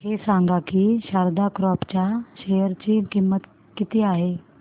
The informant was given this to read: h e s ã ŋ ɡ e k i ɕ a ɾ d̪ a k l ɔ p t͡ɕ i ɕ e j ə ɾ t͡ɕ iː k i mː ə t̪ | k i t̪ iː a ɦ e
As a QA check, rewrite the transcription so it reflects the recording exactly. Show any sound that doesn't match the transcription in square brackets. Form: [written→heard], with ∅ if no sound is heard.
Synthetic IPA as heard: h e s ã ŋ ɡ [e→a] k i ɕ a ɾ d̪ a k [l→ɾ] ɔ p t͡ɕ [i→a] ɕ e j ə ɾ t͡ɕ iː k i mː ə t̪ | k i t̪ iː a ɦ e